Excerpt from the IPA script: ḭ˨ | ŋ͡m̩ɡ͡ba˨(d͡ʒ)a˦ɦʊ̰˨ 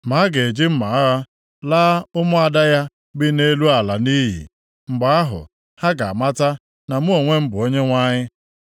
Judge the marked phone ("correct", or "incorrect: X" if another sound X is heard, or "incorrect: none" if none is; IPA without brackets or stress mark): incorrect: none